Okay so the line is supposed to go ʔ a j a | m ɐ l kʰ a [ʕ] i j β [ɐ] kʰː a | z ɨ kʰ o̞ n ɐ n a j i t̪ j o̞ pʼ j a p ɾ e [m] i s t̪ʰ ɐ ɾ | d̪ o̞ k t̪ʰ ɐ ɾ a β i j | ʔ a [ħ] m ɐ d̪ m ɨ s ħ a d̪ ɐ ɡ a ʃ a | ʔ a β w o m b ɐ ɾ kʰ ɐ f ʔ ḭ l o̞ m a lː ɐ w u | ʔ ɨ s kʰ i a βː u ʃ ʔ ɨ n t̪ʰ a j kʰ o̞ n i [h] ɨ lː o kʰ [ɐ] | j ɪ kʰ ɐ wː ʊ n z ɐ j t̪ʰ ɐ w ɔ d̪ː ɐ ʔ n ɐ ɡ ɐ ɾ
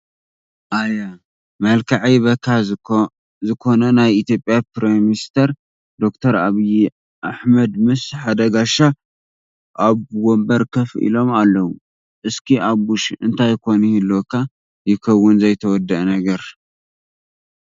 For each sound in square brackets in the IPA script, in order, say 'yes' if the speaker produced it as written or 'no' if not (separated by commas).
yes, yes, yes, yes, yes, no